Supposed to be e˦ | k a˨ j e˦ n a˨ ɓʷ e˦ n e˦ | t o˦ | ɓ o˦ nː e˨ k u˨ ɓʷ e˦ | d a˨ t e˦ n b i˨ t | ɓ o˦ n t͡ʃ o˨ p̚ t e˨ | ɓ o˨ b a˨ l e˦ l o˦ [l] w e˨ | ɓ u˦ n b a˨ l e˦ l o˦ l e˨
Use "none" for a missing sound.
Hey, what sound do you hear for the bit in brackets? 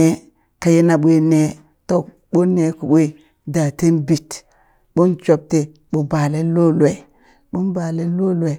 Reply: l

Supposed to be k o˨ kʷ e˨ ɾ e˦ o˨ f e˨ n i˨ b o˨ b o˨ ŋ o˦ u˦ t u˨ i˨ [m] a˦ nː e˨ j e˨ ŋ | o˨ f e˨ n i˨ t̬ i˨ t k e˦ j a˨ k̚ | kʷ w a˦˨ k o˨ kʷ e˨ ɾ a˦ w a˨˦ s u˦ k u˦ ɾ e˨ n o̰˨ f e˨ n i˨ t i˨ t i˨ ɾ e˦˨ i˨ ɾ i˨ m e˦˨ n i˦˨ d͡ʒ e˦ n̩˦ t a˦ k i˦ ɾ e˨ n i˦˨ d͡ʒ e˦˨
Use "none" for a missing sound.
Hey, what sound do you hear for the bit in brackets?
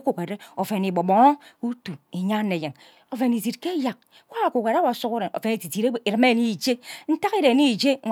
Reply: ɲ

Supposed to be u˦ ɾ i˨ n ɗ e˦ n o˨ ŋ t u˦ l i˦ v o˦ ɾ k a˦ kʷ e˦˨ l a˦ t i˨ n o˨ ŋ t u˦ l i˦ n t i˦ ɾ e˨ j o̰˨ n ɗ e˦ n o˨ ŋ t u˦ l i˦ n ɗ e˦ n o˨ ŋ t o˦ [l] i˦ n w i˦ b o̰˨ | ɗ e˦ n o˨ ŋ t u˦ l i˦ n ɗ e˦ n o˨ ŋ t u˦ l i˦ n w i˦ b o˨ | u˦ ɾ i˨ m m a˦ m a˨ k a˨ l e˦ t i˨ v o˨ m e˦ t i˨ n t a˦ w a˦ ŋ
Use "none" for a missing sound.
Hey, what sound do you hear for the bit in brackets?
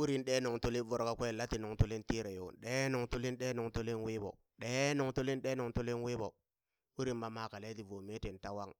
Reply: l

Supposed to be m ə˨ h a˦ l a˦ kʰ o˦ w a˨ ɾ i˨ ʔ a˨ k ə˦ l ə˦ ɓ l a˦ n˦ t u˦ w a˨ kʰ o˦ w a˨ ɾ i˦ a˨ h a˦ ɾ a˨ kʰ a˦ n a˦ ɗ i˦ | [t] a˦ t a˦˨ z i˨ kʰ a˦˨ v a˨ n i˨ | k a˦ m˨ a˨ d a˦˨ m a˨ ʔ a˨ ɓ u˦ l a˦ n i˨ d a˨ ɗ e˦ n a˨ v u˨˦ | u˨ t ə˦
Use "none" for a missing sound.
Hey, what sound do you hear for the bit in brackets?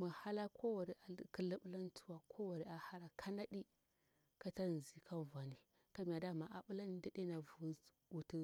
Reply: k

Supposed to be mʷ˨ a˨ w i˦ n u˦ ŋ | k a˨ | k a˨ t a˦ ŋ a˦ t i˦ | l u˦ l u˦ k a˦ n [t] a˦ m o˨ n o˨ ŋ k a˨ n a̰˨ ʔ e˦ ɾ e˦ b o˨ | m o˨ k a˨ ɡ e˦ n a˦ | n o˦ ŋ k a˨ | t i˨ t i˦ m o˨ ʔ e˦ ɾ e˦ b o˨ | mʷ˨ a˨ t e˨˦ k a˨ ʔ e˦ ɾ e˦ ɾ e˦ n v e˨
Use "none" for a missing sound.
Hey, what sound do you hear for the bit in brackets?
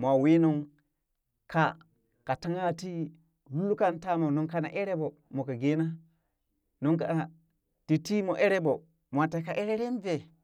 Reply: t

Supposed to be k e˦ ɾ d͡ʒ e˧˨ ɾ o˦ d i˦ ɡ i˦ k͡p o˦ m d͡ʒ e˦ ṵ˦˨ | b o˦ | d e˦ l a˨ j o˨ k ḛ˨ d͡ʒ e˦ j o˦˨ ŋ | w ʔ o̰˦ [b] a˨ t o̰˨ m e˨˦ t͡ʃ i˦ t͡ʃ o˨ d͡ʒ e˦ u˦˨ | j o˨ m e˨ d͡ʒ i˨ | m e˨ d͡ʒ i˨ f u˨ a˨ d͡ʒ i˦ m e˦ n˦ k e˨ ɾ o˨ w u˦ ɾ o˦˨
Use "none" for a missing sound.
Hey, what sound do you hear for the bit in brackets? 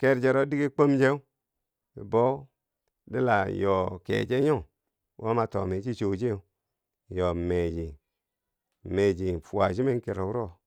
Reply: m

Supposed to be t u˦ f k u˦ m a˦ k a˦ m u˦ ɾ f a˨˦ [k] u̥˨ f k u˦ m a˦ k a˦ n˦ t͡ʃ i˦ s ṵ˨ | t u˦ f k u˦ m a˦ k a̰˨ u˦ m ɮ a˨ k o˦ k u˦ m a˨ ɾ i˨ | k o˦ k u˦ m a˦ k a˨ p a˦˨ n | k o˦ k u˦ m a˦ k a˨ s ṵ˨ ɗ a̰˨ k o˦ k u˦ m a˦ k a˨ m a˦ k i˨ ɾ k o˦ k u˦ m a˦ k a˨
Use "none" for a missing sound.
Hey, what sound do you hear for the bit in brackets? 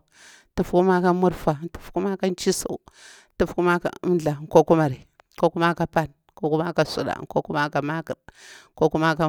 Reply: t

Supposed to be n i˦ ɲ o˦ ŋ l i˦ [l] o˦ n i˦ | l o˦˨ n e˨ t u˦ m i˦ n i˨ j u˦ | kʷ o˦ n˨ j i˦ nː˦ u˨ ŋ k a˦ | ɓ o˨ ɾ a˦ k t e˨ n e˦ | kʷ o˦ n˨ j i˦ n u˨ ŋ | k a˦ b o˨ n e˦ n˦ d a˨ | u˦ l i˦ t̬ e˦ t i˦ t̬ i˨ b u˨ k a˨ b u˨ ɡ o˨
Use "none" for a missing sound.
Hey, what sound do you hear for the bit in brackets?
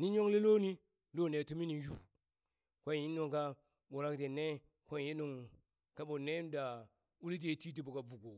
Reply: l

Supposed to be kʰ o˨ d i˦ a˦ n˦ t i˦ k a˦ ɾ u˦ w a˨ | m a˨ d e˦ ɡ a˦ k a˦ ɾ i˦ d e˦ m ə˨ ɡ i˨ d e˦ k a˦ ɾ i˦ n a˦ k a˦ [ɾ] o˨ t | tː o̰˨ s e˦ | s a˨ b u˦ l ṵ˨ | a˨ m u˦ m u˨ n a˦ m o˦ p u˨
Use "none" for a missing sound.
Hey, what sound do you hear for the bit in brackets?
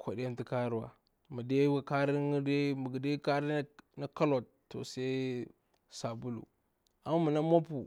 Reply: l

